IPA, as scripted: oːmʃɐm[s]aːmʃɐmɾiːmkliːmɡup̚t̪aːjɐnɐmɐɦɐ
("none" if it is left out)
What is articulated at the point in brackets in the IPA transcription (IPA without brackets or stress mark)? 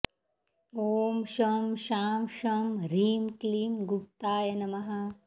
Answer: ʃ